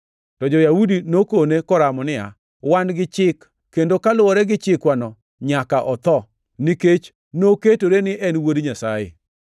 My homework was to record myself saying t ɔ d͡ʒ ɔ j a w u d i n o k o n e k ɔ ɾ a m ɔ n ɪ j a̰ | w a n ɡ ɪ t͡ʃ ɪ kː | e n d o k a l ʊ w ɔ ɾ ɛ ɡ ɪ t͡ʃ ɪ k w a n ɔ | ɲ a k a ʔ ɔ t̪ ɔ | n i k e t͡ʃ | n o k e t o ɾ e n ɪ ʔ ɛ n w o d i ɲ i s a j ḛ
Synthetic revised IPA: t ɔ d͡ʒ ɔ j a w u d i n o k o n e k ɔ ɾ a m ɔ n ɪ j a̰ | w a n ɡ ɪ t͡ʃ ɪ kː | e n d o k a l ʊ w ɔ ɾ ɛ ɡ ɪ t͡ʃ ɪ k w a n ɔ | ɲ a k a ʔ ɔ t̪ ɔ | n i k e t͡ʃ | n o k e t o ɾ e n ɪ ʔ ɛ n w o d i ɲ a s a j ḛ